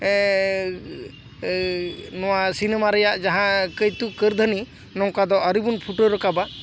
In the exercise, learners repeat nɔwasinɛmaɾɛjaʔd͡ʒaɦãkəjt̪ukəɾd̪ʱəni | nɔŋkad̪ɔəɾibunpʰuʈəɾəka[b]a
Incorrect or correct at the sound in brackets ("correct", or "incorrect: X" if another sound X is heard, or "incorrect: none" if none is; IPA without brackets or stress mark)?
correct